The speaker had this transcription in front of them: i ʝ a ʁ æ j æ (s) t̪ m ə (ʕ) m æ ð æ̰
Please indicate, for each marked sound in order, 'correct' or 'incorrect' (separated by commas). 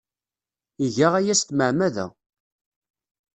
correct, correct